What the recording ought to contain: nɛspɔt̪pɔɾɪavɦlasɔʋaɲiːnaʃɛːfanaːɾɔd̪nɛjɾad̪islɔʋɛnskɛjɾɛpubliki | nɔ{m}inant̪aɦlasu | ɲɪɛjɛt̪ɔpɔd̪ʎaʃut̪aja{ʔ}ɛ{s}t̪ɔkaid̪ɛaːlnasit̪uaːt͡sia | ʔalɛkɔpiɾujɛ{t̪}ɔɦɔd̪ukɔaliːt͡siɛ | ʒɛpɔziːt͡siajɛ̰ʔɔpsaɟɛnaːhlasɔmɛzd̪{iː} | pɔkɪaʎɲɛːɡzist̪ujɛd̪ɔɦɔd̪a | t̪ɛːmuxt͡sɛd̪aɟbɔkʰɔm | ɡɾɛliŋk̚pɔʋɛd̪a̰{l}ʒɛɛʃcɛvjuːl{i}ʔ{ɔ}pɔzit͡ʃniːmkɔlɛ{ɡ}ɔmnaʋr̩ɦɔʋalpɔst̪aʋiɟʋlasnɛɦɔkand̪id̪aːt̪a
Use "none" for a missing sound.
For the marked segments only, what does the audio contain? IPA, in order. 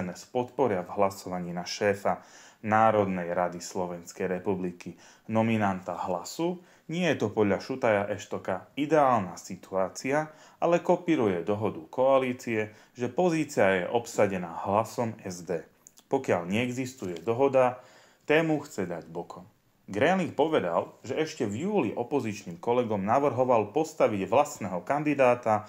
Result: m, ʔ, ʃ, d̪, ɛː, l, i, ɔ, ɡ

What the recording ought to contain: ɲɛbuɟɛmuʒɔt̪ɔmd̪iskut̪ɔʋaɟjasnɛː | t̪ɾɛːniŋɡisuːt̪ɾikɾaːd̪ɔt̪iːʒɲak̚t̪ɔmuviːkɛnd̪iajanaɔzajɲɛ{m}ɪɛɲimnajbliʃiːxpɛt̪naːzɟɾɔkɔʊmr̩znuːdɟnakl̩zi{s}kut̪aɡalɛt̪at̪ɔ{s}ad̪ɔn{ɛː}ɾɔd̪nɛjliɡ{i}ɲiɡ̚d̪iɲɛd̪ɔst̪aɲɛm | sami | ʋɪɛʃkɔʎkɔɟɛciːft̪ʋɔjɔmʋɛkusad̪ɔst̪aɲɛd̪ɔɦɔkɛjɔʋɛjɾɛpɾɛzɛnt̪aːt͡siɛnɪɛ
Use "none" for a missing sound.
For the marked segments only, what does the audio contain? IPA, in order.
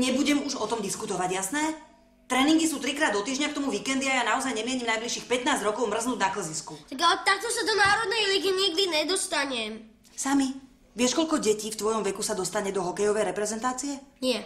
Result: m, s, s, aː, i

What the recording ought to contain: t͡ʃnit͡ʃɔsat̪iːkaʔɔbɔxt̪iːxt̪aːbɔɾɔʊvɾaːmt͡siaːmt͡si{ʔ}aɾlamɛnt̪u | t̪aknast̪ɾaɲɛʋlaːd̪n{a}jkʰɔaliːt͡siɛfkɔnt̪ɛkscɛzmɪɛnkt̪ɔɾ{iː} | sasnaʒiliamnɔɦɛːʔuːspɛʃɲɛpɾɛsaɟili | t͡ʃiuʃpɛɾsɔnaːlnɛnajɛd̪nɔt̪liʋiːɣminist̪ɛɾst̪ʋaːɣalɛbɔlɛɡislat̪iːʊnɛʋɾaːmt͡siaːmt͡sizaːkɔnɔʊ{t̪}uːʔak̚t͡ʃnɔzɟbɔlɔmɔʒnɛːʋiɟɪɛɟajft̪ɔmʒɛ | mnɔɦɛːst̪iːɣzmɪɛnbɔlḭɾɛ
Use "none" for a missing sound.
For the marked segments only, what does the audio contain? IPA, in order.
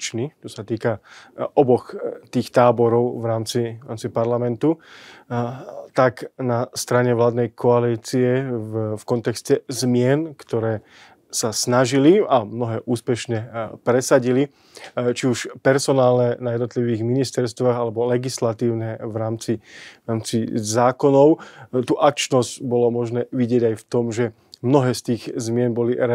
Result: p, ɛ, ɛː, t̪

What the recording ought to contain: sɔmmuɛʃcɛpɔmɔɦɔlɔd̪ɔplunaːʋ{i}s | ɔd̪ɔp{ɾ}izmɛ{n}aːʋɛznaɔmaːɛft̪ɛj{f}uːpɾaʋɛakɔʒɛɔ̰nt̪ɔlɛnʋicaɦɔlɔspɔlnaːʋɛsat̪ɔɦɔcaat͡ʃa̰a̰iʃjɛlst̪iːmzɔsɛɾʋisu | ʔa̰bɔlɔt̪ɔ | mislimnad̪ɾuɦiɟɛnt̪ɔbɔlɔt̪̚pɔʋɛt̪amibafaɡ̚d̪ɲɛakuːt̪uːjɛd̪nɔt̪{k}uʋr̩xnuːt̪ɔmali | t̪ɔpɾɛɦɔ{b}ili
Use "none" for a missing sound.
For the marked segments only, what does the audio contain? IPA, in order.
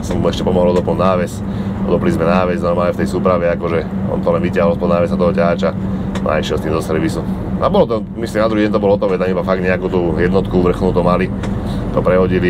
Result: ɛ, l, n, s, k, ɟ

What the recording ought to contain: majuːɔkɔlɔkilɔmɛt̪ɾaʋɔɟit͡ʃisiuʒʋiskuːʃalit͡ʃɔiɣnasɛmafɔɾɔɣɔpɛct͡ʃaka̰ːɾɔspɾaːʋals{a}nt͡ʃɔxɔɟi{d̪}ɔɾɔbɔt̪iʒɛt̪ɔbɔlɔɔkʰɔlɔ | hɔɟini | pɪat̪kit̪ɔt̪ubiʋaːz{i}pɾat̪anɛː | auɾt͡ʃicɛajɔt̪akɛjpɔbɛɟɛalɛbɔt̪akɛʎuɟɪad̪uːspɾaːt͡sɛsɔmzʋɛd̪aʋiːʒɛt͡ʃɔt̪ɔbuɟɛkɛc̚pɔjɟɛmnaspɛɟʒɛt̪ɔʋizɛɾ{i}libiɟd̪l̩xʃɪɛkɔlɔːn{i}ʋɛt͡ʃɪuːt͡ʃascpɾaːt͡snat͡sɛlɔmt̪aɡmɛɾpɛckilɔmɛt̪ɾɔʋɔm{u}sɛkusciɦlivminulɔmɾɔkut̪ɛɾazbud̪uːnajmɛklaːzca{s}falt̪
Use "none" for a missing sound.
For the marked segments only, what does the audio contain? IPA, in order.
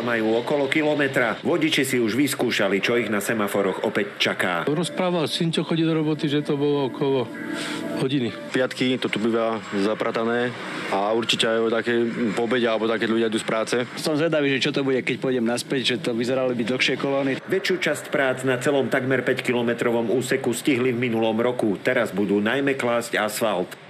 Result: i, d̪, a, a, i, uː, s

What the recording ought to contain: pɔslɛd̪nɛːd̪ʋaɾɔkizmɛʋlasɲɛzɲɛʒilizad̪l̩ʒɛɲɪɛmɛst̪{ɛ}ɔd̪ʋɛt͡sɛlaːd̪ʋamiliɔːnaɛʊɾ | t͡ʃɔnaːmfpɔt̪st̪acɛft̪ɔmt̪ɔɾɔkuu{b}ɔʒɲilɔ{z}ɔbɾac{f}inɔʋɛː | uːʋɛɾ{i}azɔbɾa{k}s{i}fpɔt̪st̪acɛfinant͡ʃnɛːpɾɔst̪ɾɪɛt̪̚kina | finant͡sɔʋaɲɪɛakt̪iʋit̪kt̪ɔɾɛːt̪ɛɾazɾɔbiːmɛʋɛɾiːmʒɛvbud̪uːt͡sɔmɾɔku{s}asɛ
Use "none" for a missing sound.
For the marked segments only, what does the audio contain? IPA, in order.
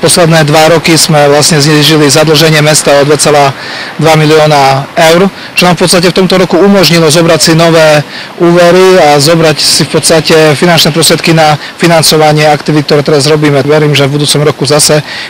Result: a, m, z, s, i, c, i, z

